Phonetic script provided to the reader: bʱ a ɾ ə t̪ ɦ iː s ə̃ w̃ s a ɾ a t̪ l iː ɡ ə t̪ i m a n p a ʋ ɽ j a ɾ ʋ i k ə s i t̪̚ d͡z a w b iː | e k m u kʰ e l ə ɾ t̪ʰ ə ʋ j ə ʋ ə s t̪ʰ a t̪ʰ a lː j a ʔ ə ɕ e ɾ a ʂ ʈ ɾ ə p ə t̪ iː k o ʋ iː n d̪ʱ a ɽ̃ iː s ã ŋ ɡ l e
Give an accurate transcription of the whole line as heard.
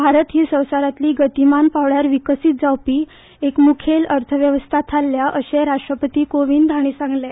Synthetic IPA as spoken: bʱ a ɾ ə t̪ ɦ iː s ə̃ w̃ s a ɾ a t̪ l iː ɡ ə t̪ i m a n p a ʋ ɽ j a ɾ ʋ i k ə s i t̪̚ d͡z a w p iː | e k m u kʰ e l ə ɾ t̪ʰ ə ʋ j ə ʋ ə s t̪ʰ a t̪ʰ a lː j a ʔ ə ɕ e ɾ a ʂ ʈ ɾ ə p ə t̪ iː k o ʋ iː n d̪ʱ a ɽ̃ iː s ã ŋ ɡ l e

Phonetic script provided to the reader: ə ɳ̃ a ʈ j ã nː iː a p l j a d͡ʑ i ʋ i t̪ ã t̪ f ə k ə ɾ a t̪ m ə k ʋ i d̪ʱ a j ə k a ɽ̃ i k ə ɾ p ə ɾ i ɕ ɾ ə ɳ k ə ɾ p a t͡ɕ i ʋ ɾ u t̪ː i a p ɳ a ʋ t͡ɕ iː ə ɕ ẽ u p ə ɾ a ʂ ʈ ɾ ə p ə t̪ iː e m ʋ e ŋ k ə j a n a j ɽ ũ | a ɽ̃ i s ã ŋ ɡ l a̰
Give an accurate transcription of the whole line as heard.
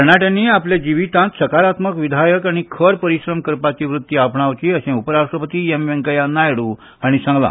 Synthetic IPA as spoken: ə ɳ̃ a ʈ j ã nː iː a p l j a d͡ʑ i ʋ i t̪ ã t̪ s ə k a ɾ a t̪ m ə k ʋ i d̪ʱ a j ə k a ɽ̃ i kʰ ə ɾ p ə ɾ i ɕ ɾ ə m k ə ɾ p a t͡ɕ i ʋ ɾ u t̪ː i a p ɳ a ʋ t͡ɕ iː ə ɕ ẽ u p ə ɾ a ʂ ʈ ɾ ə p ə t̪ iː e m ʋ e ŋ k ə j a n a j ɽ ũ | a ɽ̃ i s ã ŋ ɡ l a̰

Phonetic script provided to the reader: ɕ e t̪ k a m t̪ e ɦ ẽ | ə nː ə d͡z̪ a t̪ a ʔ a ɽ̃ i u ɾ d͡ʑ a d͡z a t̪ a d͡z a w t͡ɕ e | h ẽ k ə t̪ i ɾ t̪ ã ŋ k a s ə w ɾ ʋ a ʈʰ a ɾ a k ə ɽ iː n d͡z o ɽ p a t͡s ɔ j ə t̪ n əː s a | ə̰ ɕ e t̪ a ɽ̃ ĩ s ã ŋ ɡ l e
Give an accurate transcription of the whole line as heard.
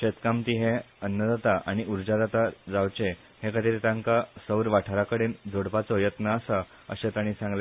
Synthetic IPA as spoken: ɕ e t̪ k a m t̪ i ɦ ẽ | ə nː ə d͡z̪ a t̪ a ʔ a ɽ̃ i u ɾ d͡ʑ a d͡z a t̪ a d͡z a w t͡ɕ e | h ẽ k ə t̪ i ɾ t̪ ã ŋ k a s ə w ɾ ʋ a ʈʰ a ɾ a k ə ɽ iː n d͡z o ɽ p a t͡s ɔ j ə t̪ n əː s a | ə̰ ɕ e t̪ a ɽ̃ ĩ s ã ŋ ɡ l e

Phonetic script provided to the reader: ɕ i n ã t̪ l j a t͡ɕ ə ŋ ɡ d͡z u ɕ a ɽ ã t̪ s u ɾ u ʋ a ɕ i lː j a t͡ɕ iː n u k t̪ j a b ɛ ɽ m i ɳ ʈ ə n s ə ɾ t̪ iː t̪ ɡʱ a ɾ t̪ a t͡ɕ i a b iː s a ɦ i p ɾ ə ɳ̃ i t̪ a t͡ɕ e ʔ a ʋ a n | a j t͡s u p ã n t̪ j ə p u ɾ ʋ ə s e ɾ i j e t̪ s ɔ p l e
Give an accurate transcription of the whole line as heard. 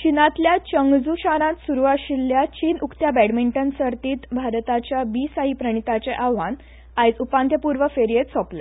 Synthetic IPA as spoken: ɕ i n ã t̪ l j a t͡ɕ ə ŋ ɡ d͡z u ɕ a ɾ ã t̪ s u ɾ u ʋ a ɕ i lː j a t͡ɕ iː n u k t̪ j a b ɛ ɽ m i ɳ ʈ ə n s ə ɾ t̪ iː t̪ bʱ a ɾ t̪ a t͡ɕ j a b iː s a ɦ i p ɾ ə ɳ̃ i t̪ a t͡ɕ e ʔ a ʋ a n | a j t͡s u p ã n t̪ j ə p u ɾ ʋ ə f e ɾ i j e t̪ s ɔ p l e

